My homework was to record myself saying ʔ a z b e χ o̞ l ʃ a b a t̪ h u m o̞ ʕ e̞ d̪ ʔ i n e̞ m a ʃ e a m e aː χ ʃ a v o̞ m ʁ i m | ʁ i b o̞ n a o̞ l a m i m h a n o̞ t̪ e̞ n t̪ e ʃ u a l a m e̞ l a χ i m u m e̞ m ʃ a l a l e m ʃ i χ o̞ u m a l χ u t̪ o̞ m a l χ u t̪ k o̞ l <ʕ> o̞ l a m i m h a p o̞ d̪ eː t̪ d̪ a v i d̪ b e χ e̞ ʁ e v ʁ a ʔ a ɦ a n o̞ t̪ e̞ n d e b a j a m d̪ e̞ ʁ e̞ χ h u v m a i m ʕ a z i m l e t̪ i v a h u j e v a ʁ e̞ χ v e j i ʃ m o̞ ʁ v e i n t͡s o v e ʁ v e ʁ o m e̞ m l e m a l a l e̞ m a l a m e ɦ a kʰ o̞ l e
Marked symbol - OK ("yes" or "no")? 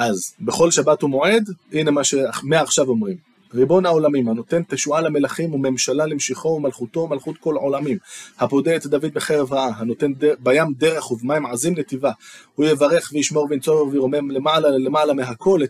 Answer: yes